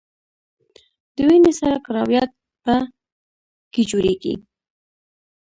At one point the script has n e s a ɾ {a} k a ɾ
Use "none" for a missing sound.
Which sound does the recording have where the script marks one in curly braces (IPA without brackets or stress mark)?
a